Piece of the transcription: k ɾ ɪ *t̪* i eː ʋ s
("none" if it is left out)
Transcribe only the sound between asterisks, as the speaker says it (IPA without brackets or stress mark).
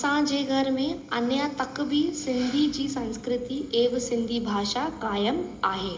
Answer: t̪